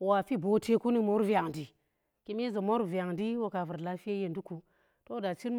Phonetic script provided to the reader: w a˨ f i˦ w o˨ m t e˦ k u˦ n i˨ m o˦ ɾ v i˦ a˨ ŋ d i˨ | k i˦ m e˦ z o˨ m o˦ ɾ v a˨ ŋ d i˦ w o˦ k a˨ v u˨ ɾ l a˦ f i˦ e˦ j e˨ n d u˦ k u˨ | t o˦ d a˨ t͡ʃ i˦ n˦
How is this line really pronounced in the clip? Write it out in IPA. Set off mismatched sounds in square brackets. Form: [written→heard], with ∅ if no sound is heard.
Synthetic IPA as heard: w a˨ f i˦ [w→b] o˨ [m→∅] t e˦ k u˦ n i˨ m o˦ ɾ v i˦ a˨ ŋ d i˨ | k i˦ m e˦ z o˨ m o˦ ɾ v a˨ ŋ d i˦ w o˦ k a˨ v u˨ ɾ l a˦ f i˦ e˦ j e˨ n d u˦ k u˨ | t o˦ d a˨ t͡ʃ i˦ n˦